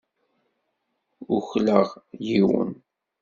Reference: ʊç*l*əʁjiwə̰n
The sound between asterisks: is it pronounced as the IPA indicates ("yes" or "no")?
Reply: yes